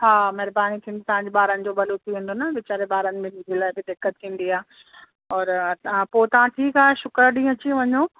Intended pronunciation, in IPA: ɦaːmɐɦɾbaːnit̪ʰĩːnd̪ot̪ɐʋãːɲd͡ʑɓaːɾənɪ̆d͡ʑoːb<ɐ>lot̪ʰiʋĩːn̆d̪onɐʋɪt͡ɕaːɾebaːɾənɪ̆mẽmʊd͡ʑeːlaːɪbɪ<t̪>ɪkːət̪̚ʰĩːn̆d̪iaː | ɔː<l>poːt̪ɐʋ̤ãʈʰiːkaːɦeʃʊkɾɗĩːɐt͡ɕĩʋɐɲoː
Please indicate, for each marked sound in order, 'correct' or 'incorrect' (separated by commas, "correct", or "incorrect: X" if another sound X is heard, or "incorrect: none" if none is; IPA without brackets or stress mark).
correct, incorrect: d̪, incorrect: ɾ